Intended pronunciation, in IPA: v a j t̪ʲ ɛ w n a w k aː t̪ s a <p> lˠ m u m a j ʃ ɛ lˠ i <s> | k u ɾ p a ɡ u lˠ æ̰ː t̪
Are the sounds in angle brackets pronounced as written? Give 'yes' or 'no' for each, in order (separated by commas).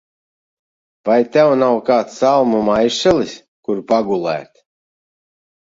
no, yes